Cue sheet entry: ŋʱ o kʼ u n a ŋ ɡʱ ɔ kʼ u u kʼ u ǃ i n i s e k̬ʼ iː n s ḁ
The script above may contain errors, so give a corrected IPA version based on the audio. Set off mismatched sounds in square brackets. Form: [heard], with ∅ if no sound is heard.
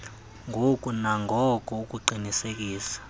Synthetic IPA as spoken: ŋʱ o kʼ u n a ŋ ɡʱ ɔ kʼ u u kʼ u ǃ i n i s e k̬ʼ iː [∅] s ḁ